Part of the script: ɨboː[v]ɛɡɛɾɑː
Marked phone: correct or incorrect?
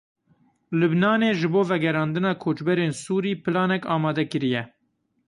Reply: correct